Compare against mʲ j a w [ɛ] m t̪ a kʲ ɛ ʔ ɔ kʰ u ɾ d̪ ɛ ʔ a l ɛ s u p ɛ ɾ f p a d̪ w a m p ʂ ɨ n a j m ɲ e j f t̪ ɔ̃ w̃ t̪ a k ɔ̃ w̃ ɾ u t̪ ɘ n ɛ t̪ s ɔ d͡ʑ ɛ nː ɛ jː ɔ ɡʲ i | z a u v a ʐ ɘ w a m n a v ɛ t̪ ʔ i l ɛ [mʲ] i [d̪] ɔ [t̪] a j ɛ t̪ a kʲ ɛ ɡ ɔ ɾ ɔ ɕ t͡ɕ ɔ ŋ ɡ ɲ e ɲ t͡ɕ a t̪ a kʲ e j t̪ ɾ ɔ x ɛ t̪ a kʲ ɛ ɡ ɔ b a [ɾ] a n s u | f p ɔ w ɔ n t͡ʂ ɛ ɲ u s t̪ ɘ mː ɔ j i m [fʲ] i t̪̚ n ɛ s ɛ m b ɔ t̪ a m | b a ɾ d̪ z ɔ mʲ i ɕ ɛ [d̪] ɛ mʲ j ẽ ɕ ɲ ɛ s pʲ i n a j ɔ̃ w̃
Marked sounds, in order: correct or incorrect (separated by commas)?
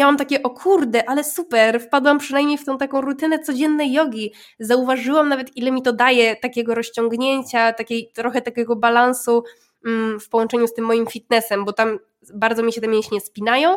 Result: incorrect, correct, incorrect, incorrect, incorrect, correct, incorrect